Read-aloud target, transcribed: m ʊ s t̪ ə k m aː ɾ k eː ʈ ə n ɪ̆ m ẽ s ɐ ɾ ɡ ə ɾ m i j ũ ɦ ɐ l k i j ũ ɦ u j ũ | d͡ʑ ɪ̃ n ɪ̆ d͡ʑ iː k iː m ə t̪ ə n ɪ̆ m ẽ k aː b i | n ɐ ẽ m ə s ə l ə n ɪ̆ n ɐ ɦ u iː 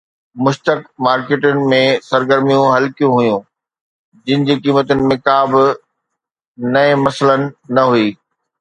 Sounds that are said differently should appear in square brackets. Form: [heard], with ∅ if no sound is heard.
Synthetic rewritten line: m ʊ [ʃ] t̪ ə k m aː ɾ k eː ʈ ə n ɪ̆ m ẽ s ɐ ɾ ɡ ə ɾ m i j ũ ɦ ɐ l k i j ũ ɦ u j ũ | d͡ʑ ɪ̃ n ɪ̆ d͡ʑ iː k iː m ə t̪ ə n ɪ̆ m ẽ k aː b [ɪ] | n ɐ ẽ m [ɐ] s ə l ə n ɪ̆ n ɐ ɦ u iː

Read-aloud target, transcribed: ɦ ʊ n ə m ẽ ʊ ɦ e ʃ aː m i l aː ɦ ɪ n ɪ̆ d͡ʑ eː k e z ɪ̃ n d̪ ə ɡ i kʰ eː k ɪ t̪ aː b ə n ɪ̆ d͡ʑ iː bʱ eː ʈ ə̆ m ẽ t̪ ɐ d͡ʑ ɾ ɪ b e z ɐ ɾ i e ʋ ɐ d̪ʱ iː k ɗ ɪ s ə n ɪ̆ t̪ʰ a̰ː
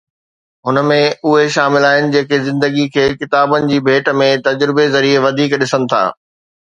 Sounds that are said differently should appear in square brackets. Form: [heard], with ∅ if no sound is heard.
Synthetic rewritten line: ɦ ʊ n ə m ẽ ʊ ɦ e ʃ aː m [ɪ] l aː ɦ ɪ n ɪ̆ d͡ʑ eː k e z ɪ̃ n d̪ ə ɡ i kʰ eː k ɪ t̪ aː b ə n ɪ̆ d͡ʑ iː bʱ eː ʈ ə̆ m ẽ t̪ ɐ d͡ʑ ɾ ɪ b e z ɐ ɾ i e ʋ ɐ d̪ʱ iː k ɗ ɪ s ə n ɪ̆ t̪ʰ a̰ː

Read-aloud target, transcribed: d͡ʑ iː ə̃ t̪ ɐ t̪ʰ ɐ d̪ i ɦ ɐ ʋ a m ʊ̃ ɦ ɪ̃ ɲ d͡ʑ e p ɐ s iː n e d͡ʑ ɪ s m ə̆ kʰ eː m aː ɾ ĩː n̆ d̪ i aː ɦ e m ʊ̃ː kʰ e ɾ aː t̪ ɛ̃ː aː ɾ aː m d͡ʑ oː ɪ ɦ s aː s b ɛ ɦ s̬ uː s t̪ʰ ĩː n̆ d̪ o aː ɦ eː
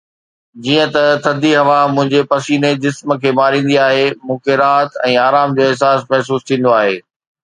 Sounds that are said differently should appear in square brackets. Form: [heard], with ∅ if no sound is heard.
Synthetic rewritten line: d͡ʑ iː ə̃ t̪ ɐ t̪ʰ ɐ d̪ i ɦ ɐ ʋ a m ʊ̃ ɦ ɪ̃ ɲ d͡ʑ e p ɐ s iː n e d͡ʑ ɪ s m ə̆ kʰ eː m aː ɾ ĩː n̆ d̪ i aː ɦ e m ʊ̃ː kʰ e ɾ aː t̪ ɛ̃ː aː ɾ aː m d͡ʑ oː ɪ ɦ s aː s [m] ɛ ɦ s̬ uː s t̪ʰ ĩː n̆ d̪ o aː ɦ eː

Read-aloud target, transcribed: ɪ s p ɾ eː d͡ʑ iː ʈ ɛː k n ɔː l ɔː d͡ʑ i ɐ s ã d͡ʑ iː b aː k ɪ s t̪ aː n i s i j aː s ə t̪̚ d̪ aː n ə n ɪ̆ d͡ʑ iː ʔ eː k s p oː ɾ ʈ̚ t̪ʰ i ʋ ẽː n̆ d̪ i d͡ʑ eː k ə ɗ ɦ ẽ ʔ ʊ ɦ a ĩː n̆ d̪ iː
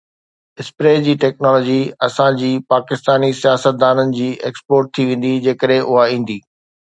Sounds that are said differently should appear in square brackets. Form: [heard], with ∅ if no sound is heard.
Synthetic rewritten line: ɪ s p ɾ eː d͡ʑ iː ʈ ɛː k n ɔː l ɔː d͡ʑ i ɐ s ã d͡ʑ iː [p] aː k ɪ s t̪ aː n i s i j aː s ə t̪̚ d̪ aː n ə n ɪ̆ d͡ʑ iː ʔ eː k s p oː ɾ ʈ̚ t̪ʰ i ʋ ẽː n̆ d̪ i d͡ʑ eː k ə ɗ ɦ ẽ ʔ ʊ ɦ a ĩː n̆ d̪ iː

